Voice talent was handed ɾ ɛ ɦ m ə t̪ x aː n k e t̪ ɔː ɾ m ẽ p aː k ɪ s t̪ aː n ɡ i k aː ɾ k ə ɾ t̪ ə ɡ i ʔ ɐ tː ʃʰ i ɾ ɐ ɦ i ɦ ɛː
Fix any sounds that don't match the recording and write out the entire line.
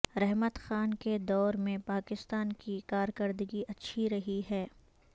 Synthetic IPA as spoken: ɾ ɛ ɦ m ə t̪ x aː n k e d̪ ɔː ɾ m ẽ p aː k ɪ s t̪ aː n k i k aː ɾ k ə ɾ d̪ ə ɡ i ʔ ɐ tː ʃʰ i ɾ ɐ ɦ i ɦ ɛː